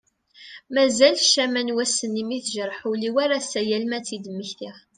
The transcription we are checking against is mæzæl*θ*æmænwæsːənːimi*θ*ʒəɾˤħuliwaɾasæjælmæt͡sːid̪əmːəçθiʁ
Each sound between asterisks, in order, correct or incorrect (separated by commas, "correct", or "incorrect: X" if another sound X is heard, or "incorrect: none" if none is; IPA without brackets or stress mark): incorrect: ʃ, correct